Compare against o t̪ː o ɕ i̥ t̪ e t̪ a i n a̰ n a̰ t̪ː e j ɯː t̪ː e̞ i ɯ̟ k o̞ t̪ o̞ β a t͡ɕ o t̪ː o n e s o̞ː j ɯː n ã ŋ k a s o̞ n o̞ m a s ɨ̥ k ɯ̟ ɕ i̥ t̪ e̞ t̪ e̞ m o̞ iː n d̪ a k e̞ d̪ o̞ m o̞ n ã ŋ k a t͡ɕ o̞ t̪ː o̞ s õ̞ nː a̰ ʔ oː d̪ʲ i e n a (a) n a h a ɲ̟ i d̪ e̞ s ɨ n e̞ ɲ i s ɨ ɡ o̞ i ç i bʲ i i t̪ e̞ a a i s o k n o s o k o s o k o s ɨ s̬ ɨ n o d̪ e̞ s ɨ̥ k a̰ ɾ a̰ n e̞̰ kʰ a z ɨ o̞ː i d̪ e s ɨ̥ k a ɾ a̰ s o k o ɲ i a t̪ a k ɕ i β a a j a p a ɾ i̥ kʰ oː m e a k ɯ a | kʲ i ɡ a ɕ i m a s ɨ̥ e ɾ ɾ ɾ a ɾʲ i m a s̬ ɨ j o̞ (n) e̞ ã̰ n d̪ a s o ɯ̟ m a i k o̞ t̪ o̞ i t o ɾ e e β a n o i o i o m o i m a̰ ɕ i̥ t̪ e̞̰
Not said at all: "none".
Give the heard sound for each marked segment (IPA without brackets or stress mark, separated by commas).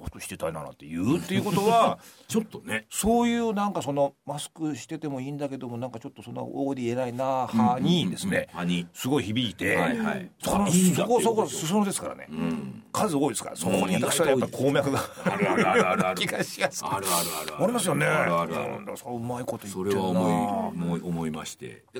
i, n